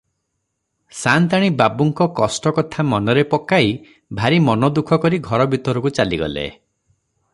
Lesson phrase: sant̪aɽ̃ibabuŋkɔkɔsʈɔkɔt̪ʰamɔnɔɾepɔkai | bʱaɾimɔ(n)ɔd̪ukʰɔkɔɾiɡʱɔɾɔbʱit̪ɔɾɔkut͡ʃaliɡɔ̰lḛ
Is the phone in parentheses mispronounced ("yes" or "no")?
no